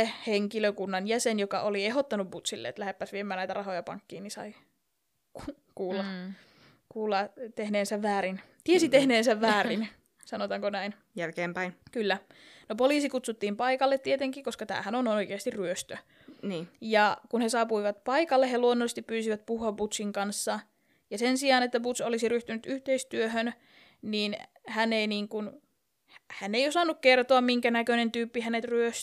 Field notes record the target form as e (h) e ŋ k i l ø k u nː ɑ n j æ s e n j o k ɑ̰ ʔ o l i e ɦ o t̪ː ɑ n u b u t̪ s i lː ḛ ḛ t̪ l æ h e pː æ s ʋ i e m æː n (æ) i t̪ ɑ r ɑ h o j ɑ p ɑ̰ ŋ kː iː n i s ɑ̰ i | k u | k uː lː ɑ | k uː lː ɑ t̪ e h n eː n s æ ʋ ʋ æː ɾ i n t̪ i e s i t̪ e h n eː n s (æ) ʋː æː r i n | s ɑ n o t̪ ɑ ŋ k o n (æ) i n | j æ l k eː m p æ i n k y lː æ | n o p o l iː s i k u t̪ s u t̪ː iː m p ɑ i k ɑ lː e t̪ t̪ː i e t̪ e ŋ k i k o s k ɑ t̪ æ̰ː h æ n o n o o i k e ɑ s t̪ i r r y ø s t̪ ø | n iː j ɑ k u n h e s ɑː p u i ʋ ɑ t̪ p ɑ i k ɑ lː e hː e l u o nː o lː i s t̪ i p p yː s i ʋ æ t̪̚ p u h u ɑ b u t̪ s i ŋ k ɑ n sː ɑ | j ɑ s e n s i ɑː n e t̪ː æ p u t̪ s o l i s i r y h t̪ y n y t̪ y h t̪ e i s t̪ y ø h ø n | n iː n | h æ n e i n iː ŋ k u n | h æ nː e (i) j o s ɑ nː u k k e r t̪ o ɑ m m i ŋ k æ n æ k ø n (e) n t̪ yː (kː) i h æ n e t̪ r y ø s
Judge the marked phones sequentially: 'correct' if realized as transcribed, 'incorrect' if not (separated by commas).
correct, correct, correct, correct, correct, correct, incorrect